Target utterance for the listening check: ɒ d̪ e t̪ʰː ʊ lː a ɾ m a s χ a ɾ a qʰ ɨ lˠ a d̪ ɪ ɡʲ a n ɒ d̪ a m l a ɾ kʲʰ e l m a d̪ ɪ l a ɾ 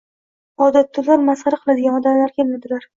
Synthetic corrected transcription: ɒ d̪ a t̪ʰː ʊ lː a ɾ m a s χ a ɾ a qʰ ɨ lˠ a d̪ ɪ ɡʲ a n ɒ d̪ a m l a ɾ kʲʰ e l m a d̪ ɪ l a ɾ